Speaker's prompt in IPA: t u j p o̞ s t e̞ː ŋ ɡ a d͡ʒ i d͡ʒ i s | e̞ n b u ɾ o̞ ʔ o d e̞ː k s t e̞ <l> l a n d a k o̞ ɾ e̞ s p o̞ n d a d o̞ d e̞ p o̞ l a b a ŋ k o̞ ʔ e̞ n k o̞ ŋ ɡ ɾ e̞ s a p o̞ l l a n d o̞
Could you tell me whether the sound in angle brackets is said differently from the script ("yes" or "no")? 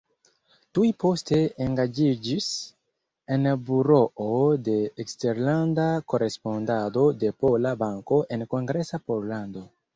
yes